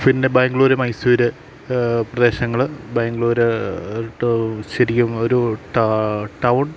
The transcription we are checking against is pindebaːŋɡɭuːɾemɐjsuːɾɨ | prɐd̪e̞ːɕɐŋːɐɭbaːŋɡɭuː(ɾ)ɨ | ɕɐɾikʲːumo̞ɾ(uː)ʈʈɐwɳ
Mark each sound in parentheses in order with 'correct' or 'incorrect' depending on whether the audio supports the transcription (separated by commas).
correct, incorrect